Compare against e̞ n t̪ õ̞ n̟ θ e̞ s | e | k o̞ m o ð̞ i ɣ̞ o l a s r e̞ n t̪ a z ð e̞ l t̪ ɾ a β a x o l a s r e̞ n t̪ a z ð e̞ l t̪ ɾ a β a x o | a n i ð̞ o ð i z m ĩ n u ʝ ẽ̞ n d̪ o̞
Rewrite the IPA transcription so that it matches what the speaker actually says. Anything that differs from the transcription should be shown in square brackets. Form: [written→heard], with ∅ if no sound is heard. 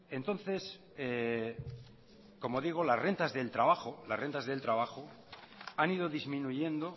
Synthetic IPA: e̞ n t̪ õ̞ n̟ θ e̞ s | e | k o̞ m o ð̞ i ɣ̞ o l a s r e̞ n t̪ a z ð e̞ l t̪ ɾ a β a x o l a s r e̞ n t̪ a z ð e̞ l t̪ ɾ a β a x o | a n i ð̞ o ð i z m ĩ n u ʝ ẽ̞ n d̪ o̞

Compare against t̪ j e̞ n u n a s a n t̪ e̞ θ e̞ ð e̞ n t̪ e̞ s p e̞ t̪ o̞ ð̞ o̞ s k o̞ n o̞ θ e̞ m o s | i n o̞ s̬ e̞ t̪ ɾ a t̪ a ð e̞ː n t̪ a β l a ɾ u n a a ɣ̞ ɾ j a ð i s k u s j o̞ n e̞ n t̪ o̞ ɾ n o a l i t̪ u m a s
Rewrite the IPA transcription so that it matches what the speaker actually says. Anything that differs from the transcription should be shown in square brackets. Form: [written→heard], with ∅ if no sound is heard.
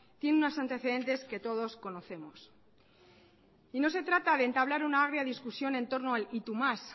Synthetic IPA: t̪ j e̞ n u n a s a n t̪ e̞ θ e̞ ð e̞ n t̪ e̞ s [p→k] e̞ t̪ o̞ ð̞ o̞ s k o̞ n o̞ θ e̞ m o s | i n o̞ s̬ e̞ t̪ ɾ a t̪ a ð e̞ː n t̪ a β l a ɾ u n a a ɣ̞ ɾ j a ð i s k u s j o̞ n e̞ n t̪ o̞ ɾ n o a l i t̪ u m a s

